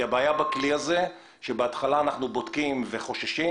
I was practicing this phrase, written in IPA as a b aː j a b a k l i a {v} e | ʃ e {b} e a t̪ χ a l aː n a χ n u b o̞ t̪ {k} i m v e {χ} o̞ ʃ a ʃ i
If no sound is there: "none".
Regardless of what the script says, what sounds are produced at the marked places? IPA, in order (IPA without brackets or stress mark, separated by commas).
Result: z, b, k, χ